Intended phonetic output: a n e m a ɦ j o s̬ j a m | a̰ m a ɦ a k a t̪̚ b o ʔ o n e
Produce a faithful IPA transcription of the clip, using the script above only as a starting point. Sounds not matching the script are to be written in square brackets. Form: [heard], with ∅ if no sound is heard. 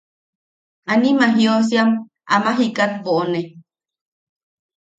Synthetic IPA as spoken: a n [i] m a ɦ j o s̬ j a m | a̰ m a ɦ [i] k a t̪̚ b o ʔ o n e